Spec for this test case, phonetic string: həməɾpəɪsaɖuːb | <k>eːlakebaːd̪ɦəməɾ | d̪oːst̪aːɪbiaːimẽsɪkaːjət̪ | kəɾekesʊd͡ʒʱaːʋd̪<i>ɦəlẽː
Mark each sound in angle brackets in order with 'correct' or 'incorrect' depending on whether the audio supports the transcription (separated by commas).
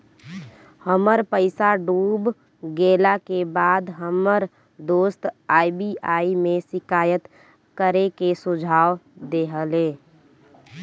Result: incorrect, incorrect